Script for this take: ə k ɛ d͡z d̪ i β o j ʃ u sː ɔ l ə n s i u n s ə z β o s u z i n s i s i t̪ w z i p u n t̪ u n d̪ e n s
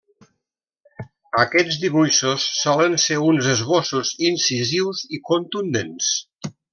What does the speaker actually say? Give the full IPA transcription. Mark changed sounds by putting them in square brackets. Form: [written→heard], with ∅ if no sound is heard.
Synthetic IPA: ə k ɛ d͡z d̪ i β [o→u] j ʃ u sː ɔ l ə n s [i→e] u n [s→z] ə z β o s u z i n s i [s→z] i [t̪→∅] w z i [p→k] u n t̪ u n d̪ e n s